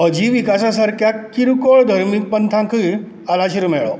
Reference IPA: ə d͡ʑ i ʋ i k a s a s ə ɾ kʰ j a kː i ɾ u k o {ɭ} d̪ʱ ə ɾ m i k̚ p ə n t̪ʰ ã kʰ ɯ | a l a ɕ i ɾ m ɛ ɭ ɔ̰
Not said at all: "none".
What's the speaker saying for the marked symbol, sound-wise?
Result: ɭ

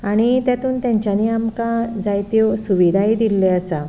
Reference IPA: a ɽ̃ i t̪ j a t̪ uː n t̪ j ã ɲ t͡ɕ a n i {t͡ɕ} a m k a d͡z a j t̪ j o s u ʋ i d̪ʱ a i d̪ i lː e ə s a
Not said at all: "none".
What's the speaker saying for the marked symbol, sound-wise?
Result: none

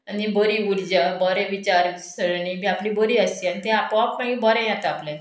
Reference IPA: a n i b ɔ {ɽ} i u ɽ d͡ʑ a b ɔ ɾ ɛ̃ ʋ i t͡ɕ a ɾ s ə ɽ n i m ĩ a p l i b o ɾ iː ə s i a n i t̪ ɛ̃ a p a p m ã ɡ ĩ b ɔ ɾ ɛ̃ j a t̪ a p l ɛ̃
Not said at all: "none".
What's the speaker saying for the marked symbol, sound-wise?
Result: ɾ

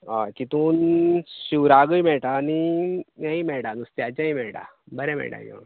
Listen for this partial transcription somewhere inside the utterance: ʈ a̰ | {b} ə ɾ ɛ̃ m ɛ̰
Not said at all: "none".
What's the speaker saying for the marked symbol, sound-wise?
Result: b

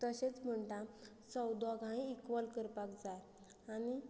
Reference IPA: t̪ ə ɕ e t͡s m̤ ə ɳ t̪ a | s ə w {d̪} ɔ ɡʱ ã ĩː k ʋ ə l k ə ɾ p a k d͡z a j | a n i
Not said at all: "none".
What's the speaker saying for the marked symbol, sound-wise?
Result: d̪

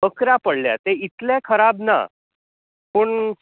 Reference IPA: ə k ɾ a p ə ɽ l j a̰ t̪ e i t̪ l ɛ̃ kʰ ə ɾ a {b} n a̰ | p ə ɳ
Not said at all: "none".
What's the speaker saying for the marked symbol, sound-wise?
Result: b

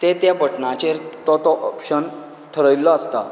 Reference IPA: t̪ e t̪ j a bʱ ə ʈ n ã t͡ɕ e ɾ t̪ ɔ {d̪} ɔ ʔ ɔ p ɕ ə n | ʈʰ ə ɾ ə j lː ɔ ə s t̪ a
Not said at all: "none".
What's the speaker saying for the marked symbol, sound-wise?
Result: t̪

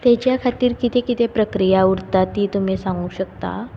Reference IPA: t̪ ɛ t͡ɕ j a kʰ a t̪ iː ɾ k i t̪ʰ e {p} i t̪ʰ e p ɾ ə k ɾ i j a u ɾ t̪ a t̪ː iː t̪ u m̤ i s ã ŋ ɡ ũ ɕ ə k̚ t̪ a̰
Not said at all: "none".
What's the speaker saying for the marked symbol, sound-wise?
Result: k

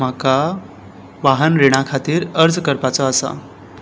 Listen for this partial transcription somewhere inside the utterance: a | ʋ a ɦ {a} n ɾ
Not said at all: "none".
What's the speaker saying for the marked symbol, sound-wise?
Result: ə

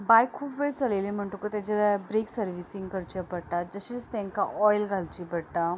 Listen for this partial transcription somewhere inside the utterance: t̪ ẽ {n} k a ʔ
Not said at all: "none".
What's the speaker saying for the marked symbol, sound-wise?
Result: ŋ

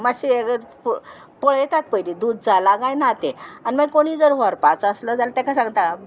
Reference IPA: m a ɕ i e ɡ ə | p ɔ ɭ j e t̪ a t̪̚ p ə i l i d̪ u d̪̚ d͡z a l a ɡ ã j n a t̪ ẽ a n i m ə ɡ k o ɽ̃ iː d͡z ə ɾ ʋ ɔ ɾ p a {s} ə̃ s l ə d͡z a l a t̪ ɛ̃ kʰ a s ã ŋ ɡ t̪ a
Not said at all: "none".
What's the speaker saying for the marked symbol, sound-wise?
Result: t͡s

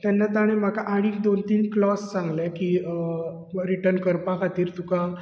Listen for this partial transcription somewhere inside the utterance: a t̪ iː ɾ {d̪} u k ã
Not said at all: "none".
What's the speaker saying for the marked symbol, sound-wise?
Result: t̪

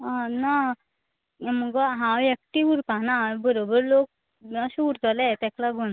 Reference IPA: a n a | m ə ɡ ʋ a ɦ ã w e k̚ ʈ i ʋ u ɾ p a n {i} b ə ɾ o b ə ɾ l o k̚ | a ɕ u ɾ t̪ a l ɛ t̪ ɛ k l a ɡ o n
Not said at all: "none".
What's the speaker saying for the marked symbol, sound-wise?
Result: a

